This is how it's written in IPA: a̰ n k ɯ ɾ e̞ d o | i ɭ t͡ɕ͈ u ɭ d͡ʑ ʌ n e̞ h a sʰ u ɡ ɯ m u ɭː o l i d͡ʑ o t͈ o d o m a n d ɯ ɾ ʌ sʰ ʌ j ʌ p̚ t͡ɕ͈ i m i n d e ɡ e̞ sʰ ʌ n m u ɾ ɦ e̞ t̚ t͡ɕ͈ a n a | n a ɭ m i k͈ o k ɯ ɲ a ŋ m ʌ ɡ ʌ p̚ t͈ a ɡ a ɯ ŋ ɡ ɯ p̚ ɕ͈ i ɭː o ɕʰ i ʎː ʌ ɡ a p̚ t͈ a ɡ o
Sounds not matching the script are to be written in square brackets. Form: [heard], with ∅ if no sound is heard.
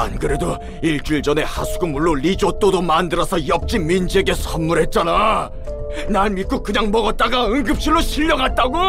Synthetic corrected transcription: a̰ n k ɯ ɾ e̞ d o | i ɭ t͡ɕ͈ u ɭ d͡ʑ ʌ n e̞ h a sʰ u ɡ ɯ m u ɭː o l i d͡ʑ o t͈ o d o m a n d ɯ ɾ ʌ sʰ ʌ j ʌ p̚ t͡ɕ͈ i m i n [d͡ʑ] e ɡ e̞ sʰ ʌ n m u ɾ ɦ e̞ t̚ t͡ɕ͈ a n a | n a ɭ m i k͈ o k ɯ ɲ a ŋ m ʌ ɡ ʌ [t̚] t͈ a ɡ a ɯ ŋ ɡ ɯ p̚ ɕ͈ i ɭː o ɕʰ i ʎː ʌ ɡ a [t̚] t͈ a ɡ o